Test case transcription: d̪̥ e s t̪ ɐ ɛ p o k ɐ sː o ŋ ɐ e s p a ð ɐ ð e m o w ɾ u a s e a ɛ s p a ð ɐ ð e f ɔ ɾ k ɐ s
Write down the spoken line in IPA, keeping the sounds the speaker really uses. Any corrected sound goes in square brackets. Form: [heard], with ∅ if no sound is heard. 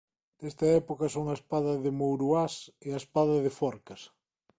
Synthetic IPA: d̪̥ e s t̪ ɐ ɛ p o k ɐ [s] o ŋ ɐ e s p a ð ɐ ð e m o w ɾ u a s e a [e] s p a ð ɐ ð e f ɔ ɾ k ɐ s